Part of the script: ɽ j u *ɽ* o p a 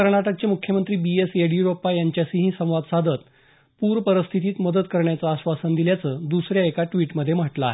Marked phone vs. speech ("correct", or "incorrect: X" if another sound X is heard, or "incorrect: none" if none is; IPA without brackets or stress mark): incorrect: ɾ